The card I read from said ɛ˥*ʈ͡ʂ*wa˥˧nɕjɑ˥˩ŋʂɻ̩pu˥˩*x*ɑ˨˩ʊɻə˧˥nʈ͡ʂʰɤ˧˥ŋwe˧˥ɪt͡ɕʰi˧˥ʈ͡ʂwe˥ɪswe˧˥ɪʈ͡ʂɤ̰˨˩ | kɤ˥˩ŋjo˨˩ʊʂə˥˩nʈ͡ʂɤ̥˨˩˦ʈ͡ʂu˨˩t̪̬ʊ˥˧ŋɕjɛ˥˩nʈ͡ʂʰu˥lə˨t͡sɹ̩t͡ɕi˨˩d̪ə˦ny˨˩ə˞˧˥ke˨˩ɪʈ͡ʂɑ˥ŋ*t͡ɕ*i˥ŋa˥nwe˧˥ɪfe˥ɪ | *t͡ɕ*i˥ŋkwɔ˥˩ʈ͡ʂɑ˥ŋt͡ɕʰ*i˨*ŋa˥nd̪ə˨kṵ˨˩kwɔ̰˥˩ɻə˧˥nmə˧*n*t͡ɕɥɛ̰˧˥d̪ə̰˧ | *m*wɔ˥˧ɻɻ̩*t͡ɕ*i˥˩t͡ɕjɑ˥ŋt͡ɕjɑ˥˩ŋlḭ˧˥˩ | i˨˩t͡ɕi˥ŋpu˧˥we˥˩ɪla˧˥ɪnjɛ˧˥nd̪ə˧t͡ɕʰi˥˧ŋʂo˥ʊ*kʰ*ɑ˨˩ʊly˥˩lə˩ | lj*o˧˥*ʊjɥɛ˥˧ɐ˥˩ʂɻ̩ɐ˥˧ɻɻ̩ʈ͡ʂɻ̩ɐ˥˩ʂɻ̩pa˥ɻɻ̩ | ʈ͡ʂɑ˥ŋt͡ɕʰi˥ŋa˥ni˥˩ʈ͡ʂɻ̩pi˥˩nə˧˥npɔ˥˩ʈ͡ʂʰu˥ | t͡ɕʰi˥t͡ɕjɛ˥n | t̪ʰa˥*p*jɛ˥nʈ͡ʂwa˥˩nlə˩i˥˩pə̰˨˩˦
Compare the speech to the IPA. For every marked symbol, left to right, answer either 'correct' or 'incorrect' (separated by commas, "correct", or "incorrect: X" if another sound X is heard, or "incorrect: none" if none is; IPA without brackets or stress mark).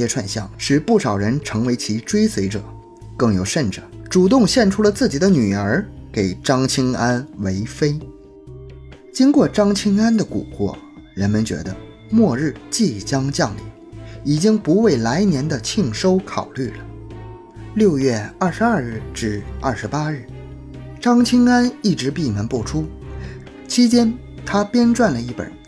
incorrect: ʈ͡ʂʰ, incorrect: ʂ, incorrect: t͡ɕʰ, correct, incorrect: i˥, correct, correct, correct, correct, incorrect: o˥˧, correct